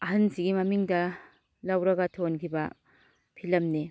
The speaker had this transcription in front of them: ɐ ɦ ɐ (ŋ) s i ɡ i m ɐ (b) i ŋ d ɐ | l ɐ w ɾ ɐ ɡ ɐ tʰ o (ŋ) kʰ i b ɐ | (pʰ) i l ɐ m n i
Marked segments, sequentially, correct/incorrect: incorrect, incorrect, incorrect, correct

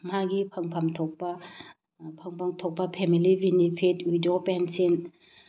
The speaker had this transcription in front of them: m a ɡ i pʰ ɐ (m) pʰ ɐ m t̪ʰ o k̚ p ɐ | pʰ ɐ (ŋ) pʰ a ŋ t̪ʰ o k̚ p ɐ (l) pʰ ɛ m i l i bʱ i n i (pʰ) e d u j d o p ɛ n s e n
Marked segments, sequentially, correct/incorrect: incorrect, correct, incorrect, correct

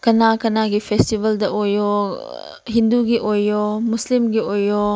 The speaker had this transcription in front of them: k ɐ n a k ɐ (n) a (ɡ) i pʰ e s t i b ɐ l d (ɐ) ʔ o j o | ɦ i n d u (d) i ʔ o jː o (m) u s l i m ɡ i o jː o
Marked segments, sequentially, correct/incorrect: correct, correct, correct, incorrect, correct

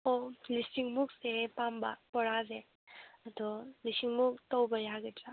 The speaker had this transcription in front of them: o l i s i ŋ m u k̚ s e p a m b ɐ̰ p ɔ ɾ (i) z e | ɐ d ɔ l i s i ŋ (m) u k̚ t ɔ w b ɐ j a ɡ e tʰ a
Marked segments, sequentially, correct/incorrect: incorrect, correct

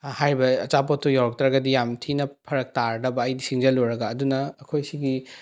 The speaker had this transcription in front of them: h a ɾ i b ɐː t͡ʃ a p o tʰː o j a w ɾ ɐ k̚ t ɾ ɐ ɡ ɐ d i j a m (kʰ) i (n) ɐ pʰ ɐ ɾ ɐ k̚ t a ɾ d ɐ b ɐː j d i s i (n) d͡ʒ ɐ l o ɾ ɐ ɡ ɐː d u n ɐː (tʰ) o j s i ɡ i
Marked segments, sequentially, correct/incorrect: incorrect, correct, incorrect, incorrect

